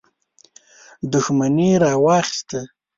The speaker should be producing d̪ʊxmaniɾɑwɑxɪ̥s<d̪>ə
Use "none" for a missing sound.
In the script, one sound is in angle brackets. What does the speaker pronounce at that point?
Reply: t̪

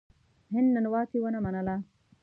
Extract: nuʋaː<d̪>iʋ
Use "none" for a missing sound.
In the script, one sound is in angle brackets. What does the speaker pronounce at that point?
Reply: t̪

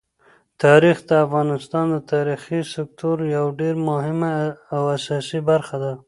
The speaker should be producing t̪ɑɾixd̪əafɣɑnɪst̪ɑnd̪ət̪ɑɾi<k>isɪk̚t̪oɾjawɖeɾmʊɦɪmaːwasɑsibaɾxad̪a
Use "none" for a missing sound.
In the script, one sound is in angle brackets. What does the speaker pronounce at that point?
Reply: x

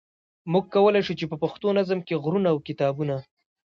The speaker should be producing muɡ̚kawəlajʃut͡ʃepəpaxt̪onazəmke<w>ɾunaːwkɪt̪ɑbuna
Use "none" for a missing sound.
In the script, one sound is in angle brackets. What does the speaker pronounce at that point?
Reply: ɣ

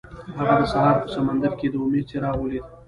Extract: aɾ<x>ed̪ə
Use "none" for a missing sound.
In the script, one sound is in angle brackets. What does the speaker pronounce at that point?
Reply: k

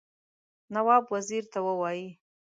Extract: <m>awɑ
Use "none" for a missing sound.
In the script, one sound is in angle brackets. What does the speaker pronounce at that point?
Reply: n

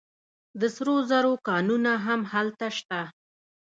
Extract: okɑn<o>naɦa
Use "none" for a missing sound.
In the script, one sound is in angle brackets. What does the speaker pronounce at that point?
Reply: u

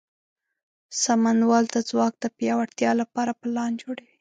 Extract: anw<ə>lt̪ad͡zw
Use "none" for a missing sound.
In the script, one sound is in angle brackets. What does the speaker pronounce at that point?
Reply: ɑ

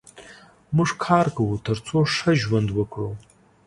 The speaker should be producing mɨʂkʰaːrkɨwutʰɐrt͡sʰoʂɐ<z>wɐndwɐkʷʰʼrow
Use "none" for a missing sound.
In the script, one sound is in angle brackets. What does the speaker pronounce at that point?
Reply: ʒ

